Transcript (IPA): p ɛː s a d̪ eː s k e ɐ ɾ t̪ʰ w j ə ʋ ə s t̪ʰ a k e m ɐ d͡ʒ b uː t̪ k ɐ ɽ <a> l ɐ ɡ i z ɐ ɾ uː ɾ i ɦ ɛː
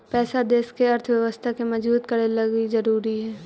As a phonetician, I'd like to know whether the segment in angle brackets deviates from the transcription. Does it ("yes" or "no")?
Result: yes